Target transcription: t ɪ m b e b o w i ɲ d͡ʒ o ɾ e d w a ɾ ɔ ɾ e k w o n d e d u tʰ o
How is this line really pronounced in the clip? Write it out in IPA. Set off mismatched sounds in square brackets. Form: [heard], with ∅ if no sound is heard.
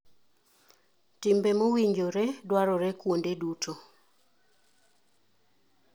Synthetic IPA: t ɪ m b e [m] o w i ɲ d͡ʒ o ɾ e d w a ɾ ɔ ɾ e k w o n d e d u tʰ o

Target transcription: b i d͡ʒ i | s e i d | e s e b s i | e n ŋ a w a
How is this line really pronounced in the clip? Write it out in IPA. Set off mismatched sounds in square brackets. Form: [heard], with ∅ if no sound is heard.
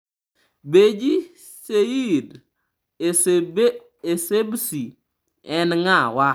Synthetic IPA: b [e] d͡ʒ i | s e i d | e s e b s i | [ɛ] n ŋ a w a

